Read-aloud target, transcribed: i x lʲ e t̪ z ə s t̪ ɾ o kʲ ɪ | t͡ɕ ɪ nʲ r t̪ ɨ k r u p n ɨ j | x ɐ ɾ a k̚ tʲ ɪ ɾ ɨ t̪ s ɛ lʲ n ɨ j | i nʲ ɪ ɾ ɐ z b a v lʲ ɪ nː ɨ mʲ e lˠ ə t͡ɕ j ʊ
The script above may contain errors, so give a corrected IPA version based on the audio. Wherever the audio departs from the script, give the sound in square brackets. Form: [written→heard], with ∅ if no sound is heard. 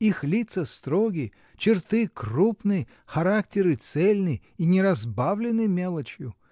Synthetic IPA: i x lʲ [e→i] t̪ [z→s] ə s t̪ ɾ o [kʲ→ɡʲ] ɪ | t͡ɕ ɪ [nʲ→∅] r t̪ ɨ k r u p n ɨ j | x ɐ ɾ a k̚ tʲ ɪ ɾ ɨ t̪ s ɛ lʲ n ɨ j | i nʲ ɪ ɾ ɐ z b a v lʲ ɪ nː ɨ mʲ e lˠ ə t͡ɕ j ʊ